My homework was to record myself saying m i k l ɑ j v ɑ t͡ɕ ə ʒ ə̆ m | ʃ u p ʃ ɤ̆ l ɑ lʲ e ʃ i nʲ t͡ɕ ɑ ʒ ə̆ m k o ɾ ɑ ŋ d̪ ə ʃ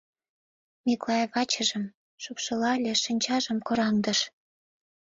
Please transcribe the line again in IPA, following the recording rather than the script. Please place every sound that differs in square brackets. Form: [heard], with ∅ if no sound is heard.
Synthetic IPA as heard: m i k l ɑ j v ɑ t͡ɕ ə ʒ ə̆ m | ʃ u p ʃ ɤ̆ l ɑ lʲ e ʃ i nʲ t͡ɕ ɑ ʒ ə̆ m k o ɾ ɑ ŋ d̪ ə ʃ